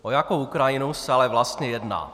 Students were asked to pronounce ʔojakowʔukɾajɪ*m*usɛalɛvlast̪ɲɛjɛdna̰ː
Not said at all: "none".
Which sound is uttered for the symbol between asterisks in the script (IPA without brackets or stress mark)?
n